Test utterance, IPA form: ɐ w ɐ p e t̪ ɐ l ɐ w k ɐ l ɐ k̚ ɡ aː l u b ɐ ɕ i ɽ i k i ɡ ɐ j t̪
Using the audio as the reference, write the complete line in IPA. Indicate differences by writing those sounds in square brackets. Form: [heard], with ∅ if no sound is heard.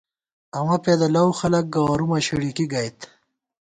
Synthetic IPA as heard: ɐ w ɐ p e [d̪] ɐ l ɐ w [x] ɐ l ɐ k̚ ɡ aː [ɾ] u [m] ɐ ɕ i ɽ i k i ɡ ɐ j t̪